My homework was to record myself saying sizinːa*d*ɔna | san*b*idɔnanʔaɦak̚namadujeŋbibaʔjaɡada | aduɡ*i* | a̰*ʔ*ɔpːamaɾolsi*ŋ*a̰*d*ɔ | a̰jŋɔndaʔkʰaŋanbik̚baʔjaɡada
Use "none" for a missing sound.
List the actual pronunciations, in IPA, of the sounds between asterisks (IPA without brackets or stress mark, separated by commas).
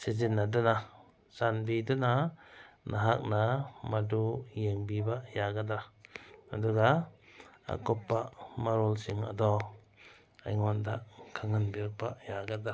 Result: d, b, a, k, ŋ, d